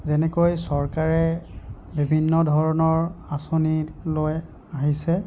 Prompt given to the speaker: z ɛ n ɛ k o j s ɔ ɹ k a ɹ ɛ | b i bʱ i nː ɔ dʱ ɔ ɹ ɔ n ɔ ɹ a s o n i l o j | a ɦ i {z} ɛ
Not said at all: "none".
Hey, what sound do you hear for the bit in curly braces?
s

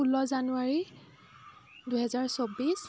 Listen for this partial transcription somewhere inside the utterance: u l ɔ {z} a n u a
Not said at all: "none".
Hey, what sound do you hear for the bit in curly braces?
z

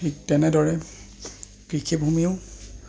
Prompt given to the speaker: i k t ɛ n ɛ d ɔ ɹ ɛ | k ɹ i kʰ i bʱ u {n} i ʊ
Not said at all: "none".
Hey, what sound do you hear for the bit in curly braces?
m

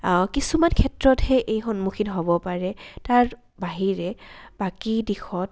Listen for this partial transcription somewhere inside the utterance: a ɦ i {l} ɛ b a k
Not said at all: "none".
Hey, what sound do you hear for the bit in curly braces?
ɹ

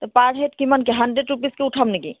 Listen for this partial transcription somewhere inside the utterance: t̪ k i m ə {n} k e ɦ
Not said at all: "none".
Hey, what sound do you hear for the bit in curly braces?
n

